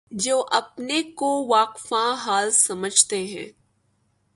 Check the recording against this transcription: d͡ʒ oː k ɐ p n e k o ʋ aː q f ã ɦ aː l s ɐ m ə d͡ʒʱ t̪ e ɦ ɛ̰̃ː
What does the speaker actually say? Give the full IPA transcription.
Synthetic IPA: d͡ʒ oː ʔ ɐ p n e k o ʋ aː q f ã ɦ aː l s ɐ m ə d͡ʒʱ t̪ e ɦ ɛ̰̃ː